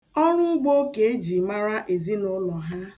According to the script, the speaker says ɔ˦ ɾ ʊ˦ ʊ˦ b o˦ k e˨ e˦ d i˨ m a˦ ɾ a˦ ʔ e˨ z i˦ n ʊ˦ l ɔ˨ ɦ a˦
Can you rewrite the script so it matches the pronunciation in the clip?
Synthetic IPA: ɔ˦ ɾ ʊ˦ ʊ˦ ɡ͡b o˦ k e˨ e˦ d͡ʒ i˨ m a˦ ɾ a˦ ʔ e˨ z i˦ n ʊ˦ l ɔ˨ ɦ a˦